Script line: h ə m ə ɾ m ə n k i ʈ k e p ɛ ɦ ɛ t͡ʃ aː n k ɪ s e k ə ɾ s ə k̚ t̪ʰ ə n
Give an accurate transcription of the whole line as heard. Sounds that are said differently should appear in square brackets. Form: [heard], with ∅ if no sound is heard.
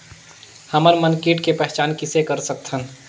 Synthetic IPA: h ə m ə ɾ m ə n k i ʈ k e p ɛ ɦ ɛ t͡ʃ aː n k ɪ s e k ə ɾ s ə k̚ t̪ʰ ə n